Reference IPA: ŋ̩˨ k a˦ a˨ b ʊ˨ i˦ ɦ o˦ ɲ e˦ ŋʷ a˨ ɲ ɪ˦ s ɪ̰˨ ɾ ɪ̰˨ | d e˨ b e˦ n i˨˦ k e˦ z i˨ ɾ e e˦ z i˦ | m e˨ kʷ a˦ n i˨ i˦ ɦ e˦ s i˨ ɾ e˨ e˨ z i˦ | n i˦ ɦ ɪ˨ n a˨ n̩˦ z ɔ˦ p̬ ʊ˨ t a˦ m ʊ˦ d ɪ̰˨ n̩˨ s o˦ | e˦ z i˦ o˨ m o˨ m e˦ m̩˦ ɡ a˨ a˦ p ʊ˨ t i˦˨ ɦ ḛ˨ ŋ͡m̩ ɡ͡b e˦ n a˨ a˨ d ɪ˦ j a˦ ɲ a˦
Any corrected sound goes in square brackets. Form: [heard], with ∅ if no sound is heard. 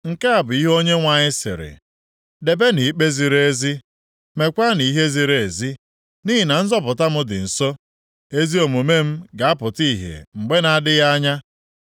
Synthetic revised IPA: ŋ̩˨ k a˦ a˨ b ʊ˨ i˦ ɦ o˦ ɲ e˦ ŋʷ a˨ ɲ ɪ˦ s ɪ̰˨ ɾ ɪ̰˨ | d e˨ b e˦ n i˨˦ [k͡p] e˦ z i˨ ɾ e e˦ z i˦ | m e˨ kʷ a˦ n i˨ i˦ ɦ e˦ [z] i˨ ɾ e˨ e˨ z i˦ | n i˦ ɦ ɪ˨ n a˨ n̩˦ z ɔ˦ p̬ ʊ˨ t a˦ m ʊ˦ d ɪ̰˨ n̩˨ s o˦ | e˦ z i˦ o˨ m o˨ m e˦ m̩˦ ɡ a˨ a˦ p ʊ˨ t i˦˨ ɦ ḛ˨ ŋ͡m̩ ɡ͡b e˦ n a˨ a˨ d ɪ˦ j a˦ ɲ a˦